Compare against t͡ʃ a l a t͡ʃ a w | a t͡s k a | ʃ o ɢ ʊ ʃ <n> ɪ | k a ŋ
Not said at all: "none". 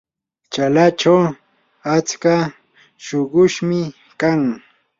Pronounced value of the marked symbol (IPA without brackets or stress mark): m